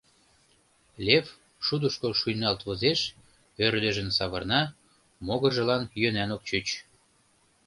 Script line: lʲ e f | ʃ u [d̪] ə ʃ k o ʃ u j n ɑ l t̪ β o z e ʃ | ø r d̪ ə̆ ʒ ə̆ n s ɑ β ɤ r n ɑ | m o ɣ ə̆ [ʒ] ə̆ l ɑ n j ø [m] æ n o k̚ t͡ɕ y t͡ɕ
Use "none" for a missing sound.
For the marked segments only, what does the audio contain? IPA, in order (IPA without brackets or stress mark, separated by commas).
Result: d̪, ʒ, n